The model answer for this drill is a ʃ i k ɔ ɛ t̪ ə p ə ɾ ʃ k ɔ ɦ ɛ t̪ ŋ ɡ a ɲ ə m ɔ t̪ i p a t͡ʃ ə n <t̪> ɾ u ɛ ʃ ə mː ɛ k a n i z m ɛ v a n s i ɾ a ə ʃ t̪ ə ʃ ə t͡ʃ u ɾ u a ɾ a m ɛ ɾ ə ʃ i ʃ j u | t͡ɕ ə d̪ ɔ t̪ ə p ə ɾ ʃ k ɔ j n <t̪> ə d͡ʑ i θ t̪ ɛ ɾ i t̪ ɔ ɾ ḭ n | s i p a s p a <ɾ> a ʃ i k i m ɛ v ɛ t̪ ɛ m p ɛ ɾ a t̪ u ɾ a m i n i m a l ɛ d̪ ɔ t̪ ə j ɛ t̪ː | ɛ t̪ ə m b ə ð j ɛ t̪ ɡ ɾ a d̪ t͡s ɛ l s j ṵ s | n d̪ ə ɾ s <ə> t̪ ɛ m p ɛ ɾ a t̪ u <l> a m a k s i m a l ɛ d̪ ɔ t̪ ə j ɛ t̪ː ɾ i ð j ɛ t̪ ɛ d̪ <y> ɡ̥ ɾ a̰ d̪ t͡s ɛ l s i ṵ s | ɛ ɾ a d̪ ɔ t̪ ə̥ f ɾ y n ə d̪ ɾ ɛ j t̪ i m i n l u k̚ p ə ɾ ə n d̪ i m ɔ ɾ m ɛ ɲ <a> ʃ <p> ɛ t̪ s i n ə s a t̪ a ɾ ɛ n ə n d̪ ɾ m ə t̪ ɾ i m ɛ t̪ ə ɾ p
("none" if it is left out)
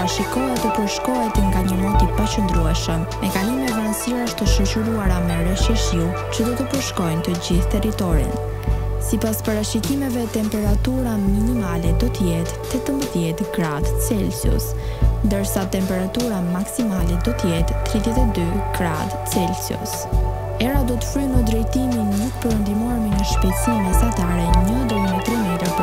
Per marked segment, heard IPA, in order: d̪, t̪, ɾ, a, ɾ, y, ə, p

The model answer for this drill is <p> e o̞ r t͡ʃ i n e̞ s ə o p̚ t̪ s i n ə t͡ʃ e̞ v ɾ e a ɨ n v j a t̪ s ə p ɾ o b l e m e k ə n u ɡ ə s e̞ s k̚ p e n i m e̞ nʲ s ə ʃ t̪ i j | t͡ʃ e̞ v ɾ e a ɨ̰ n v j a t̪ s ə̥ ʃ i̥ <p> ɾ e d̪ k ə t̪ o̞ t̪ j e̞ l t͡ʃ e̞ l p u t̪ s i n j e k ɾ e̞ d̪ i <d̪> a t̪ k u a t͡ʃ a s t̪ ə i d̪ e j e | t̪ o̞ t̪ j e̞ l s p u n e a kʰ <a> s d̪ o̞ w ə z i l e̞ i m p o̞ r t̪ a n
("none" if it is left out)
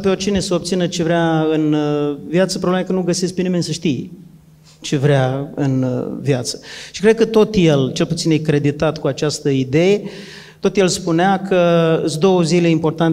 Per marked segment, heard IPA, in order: p, k, t̪, ə

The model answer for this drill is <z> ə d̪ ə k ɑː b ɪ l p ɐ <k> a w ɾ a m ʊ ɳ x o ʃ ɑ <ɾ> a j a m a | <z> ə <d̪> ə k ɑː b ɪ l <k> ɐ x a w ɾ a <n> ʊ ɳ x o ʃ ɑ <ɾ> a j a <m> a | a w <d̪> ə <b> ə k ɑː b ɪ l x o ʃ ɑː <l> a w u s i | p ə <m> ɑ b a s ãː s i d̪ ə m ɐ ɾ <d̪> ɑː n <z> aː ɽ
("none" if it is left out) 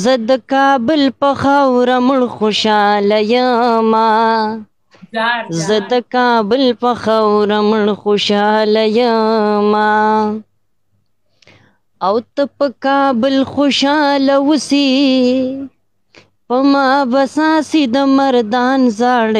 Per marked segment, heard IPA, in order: z, x, l, z, d̪, p, m, l, m, t̪, p, l, m, d̪, z

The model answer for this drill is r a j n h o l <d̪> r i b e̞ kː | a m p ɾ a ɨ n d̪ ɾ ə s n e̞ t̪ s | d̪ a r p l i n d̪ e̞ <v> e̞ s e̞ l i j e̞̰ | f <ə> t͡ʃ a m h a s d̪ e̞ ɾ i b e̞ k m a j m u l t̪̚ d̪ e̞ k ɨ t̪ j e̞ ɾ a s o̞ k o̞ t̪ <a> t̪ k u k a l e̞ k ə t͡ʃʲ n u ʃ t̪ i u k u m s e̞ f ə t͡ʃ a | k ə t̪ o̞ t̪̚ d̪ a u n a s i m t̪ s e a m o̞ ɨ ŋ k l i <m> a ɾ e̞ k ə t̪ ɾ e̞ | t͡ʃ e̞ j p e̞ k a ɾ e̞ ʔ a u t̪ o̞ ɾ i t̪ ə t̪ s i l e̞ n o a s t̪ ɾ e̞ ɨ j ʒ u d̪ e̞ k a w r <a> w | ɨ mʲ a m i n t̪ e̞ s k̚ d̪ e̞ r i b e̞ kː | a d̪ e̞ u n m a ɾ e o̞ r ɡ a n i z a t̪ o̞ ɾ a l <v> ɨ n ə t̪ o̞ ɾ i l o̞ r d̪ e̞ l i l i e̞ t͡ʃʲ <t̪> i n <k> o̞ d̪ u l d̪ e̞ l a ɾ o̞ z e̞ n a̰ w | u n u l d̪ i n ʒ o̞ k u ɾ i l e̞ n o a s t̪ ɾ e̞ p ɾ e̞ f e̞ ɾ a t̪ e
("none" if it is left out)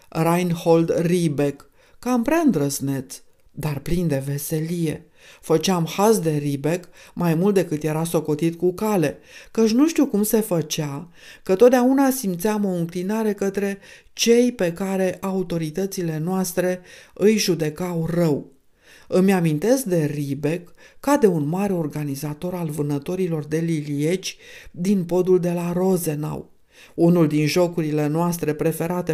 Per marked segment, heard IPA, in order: d̪, v, ə, i, n, ə, v, d̪, p

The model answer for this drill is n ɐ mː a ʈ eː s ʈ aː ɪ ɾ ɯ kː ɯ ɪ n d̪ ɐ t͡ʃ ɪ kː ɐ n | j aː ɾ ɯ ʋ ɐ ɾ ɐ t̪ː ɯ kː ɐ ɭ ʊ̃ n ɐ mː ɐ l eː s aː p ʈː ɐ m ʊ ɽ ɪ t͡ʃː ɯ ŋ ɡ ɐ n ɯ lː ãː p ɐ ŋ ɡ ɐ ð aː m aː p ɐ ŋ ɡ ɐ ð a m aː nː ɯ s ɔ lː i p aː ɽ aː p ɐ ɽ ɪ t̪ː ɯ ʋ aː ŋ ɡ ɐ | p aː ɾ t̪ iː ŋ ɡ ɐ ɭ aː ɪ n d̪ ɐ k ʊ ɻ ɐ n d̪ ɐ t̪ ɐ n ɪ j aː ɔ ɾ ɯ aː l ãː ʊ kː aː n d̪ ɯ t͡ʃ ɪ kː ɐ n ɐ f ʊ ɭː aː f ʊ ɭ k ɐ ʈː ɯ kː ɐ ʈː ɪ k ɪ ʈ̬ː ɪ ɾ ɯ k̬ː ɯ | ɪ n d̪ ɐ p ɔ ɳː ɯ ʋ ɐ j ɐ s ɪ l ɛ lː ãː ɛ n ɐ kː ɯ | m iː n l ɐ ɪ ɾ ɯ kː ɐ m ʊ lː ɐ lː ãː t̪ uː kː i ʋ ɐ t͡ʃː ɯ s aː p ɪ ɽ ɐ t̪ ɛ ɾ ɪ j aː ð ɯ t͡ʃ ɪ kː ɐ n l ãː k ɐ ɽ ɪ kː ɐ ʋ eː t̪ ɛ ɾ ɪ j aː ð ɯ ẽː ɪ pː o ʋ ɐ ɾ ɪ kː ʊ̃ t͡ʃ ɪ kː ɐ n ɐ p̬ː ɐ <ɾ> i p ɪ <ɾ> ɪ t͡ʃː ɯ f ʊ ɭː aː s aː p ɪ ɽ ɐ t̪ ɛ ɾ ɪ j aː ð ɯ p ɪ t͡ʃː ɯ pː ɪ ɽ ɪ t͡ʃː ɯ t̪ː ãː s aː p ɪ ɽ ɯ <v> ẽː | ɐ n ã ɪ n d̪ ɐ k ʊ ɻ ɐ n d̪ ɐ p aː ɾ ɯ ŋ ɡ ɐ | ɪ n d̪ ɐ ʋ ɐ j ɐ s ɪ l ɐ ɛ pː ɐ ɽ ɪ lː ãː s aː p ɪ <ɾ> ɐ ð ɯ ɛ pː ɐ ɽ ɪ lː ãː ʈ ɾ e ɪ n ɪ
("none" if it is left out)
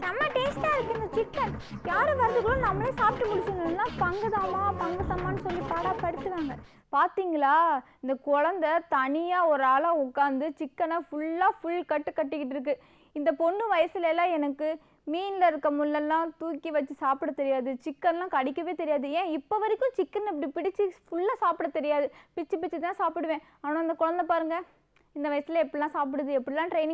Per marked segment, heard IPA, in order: ɽ, ɽ, ʋ, ɽ

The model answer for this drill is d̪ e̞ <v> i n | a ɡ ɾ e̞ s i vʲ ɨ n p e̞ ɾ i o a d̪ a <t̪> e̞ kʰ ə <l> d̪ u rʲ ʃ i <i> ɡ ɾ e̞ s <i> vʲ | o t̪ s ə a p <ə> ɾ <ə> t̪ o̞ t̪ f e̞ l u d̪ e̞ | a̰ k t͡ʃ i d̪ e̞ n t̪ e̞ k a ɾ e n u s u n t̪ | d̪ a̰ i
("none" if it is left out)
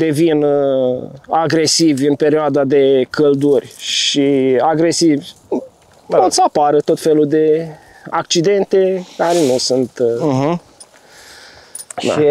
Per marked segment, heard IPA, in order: v, d̪, l, a, i, a, ə

